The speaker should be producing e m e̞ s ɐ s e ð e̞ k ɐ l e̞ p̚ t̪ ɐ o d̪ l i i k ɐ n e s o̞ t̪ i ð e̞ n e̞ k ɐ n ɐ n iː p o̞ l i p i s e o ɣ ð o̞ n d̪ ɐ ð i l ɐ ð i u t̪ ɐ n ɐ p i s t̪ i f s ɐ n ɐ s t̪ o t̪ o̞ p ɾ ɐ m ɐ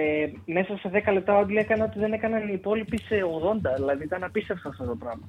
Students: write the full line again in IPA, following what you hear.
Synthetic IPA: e m e̞ s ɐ s e ð e̞ k ɐ l e̞ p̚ t̪ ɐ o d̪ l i e k ɐ n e o̞ t̪ i ð e̞ n e̞ k ɐ n ɐ n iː p o̞ l i p i s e o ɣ ð o̞ n d̪ ɐ ð i l ɐ ð i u t̪ ɐ n ɐ p i s t̪ e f s ɐ n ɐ f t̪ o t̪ o̞ p ɾ ɐ m ɐ